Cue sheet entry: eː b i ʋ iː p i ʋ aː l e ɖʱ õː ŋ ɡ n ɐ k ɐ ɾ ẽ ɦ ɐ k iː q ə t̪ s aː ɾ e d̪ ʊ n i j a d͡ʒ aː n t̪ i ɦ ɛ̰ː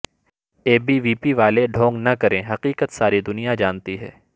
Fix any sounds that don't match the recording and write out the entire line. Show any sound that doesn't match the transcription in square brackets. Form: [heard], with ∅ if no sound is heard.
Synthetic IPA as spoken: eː b i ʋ iː p i ʋ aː l e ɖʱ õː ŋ ɡ n ɐ k ɐ ɾ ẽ ɦ ɐ [q] iː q ə t̪ s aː ɾ [i] d̪ ʊ n i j a d͡ʒ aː n t̪ i ɦ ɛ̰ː